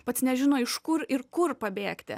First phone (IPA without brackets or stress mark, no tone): p